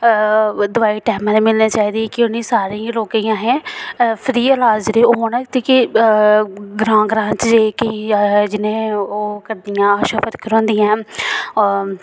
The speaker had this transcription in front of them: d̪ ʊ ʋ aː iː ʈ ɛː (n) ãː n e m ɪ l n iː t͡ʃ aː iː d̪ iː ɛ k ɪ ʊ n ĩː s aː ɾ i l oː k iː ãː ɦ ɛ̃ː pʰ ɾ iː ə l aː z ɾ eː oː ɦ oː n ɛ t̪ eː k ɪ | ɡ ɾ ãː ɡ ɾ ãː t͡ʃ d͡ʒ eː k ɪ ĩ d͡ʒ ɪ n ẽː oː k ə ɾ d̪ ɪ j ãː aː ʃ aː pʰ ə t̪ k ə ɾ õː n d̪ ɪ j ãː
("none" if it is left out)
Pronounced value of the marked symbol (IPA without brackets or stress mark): m